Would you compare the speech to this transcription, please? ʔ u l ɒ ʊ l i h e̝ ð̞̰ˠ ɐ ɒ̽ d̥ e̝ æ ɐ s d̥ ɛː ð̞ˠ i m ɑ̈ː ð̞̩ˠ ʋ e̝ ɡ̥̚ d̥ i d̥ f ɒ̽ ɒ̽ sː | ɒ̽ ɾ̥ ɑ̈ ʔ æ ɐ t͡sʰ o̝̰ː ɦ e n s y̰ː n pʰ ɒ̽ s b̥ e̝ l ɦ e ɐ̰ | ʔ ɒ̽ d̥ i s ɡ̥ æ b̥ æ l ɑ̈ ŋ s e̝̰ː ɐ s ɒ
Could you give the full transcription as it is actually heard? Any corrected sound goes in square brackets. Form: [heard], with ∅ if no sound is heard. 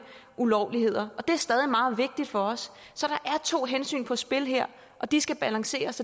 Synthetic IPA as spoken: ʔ u l ɒ ʊ l i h e̝ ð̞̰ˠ ɐ ɒ̽ d̥ e̝ æ ɐ s d̥ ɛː ð̞ˠ i m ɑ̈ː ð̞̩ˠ ʋ e̝ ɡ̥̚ d̥ i d̥ f ɒ̽ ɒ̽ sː | ɒ̽ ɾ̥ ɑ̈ ʔ æ ɐ t͡sʰ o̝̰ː ɦ e n s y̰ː n pʰ ɒ̽ s b̥ e̝ l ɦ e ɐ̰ | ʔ ɒ̽ d̥ i s ɡ̥ æ b̥ æ l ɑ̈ ŋ s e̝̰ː ɐ s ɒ